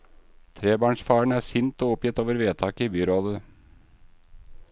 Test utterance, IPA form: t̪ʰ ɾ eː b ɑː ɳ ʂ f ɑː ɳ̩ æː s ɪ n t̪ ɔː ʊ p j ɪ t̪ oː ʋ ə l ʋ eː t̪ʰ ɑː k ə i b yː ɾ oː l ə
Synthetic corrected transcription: t̪ʰ ɾ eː b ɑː ɳ ʂ f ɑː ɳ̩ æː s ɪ n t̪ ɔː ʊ p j ɪ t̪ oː ʋ ə ɾ ʋ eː t̪ʰ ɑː k ə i b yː ɾ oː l ə